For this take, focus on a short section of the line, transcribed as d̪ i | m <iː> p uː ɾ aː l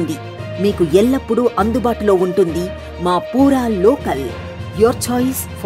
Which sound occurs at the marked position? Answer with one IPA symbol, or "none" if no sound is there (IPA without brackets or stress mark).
aː